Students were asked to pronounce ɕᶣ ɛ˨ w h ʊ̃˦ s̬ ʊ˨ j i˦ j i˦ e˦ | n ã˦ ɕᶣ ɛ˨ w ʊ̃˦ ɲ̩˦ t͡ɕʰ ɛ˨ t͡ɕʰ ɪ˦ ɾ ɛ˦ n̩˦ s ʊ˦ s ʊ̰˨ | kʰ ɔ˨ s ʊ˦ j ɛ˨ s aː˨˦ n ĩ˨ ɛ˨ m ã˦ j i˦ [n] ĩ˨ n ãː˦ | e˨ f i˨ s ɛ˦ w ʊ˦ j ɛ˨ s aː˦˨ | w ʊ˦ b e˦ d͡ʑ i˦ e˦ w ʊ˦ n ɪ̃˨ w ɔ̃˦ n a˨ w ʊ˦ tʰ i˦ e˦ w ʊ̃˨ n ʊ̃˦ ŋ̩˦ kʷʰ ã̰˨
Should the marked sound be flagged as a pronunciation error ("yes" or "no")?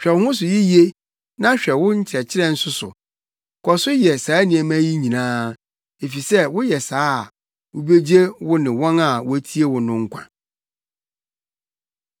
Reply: yes